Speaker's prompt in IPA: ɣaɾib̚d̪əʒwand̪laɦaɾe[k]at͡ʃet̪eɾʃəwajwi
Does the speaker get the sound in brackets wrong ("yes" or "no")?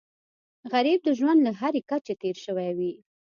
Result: no